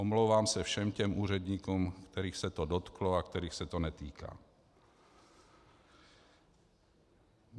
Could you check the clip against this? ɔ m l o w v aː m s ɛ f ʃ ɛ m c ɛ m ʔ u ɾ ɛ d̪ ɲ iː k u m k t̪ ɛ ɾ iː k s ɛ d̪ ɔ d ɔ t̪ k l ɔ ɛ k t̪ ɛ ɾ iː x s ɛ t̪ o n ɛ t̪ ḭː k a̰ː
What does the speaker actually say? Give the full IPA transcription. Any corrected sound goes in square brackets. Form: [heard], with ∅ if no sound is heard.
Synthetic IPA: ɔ m l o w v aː m s ɛ f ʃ ɛ m c ɛ m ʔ [uː] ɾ ɛ d̪ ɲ iː k u m k t̪ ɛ ɾ iː [x] s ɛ [t̪] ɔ d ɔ t̪ k l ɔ [a] k t̪ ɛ ɾ iː x s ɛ t̪ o n ɛ t̪ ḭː k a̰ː